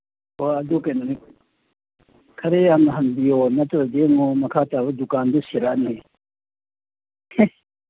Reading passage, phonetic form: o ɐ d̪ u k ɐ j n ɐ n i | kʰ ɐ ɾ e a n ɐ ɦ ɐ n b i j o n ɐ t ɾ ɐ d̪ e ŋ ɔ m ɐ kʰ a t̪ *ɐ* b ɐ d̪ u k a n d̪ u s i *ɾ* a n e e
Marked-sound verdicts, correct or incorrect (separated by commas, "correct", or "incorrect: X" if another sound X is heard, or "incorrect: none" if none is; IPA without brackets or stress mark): incorrect: a, correct